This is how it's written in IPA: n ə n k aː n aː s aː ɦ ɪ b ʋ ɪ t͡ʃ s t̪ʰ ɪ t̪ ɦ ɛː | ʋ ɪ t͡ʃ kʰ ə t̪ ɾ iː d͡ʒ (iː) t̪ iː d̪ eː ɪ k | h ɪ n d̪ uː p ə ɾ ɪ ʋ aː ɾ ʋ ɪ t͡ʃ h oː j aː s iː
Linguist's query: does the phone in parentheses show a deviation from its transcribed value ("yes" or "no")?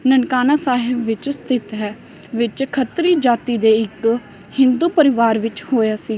yes